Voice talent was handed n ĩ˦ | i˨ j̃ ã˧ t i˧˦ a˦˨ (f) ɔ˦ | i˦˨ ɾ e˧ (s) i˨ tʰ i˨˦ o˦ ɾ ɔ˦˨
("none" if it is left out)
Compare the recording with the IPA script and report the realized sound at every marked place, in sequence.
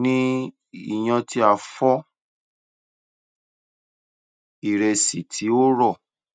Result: f, s

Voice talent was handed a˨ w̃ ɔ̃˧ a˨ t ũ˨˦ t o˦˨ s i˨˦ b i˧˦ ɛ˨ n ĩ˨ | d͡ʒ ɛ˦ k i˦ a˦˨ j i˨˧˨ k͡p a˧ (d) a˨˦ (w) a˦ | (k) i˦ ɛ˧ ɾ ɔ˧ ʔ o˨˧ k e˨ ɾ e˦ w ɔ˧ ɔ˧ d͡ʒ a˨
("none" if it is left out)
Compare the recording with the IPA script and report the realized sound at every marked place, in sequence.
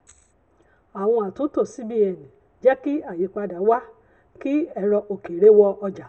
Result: d, w, k

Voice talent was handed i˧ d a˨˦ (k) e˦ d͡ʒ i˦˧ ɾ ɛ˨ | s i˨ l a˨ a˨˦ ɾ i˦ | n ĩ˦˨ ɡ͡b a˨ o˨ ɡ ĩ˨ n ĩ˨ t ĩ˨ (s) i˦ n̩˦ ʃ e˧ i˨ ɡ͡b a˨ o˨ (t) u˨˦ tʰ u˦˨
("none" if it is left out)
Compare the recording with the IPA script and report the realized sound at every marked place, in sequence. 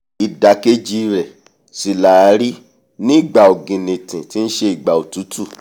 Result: k, t, t

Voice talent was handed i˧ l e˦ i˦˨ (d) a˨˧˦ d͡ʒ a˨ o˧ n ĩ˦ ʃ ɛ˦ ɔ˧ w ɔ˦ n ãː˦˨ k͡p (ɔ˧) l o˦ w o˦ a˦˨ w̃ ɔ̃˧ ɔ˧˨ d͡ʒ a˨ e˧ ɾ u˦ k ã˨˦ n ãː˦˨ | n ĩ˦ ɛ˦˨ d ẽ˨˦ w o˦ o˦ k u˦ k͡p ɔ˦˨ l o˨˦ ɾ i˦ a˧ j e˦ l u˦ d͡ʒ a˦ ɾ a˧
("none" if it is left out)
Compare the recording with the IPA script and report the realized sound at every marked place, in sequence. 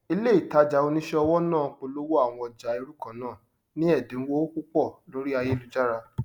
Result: t, o˧

